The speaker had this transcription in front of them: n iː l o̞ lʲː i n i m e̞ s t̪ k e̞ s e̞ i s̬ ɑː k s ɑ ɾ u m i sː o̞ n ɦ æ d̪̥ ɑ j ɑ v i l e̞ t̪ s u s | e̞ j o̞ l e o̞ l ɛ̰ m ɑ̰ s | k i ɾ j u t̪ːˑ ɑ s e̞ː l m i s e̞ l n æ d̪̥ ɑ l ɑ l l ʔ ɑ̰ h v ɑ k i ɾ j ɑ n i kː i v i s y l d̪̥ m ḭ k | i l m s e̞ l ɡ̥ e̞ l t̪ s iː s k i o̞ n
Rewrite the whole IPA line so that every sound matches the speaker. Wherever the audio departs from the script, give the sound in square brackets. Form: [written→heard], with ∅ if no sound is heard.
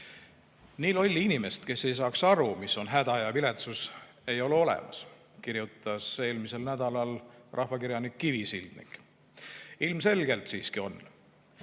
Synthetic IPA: n iː l o̞ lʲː i n i m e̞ s t̪ k e̞ s e̞ [i→j] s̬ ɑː k s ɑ ɾ u m i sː o̞ n ɦ æ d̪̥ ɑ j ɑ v i l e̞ t̪ s u s | e̞ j o̞ l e o̞ l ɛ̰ m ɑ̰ s | k i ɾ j u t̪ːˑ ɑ s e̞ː l m i s e̞ l n æ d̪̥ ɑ l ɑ l [l→r] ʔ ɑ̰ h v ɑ k i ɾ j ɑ n i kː i v i s [y→i] l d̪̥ [m→n] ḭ k | i l m s e̞ l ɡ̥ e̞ l t̪ s iː s k i o̞ n